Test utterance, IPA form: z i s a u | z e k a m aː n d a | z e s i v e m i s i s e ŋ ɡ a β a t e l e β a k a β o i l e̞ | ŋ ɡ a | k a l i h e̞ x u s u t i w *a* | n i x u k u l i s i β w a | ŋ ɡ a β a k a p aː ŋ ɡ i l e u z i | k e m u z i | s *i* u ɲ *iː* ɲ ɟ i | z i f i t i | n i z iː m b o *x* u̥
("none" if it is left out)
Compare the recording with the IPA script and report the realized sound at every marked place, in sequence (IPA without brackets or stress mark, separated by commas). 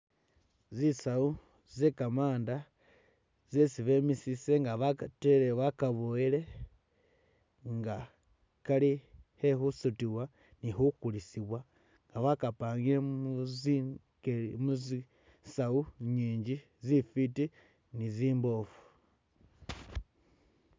a, a, iː, f